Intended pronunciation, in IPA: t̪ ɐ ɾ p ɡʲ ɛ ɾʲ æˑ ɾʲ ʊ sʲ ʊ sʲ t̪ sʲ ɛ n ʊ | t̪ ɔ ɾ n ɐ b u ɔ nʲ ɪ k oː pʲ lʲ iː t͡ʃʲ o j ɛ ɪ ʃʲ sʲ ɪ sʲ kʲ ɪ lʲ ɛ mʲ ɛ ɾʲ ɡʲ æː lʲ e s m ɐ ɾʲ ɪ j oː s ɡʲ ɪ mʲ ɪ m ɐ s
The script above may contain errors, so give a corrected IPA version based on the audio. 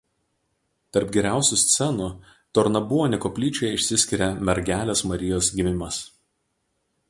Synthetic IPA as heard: t̪ ɐ ɾ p ɡʲ ɛ ɾʲ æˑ ʊ sʲ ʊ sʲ t̪ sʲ ɛ n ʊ | t̪ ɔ ɾ n ɐ b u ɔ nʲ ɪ k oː pʲ lʲ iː t͡ʃʲ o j ɛ ɪ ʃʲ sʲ ɪ sʲ kʲ ɪ ɾʲ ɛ mʲ ɛ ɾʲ ɡʲ æː lʲ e s m ɐ ɾʲ ɪ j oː s ɡʲ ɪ mʲ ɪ m ɐ s